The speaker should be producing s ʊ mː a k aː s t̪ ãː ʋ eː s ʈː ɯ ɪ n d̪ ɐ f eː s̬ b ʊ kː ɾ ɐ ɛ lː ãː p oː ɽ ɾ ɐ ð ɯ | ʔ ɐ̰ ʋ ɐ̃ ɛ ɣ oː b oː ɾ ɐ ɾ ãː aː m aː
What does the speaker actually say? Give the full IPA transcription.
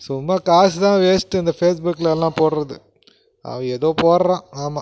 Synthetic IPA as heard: s ʊ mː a k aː s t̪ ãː ʋ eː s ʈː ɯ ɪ n d̪ ɐ f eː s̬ b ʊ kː l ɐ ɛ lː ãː p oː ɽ ɾ ɐ ð ɯ | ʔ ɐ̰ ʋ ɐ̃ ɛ ð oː p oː ɾ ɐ ɾ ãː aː m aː